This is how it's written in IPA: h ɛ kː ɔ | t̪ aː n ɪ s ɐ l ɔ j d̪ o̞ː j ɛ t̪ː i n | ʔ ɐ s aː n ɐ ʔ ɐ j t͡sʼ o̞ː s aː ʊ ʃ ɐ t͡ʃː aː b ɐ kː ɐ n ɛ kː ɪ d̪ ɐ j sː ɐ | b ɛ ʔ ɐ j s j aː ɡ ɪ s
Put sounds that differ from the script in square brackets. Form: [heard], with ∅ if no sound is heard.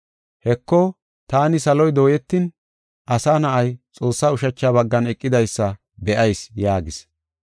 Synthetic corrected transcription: h ɛ kː ɔ | t̪ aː n ɪ s ɐ l ɔ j d̪ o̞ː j ɛ t̪ː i n | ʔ ɐ s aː n ɐ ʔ ɐ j t͡sʼ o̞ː [sː] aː ʊ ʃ ɐ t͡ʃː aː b ɐ [ɡː] ɐ n ɛ [kʼː] ɪ d̪ ɐ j sː ɐ | b ɛ ʔ ɐ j s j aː ɡ ɪ s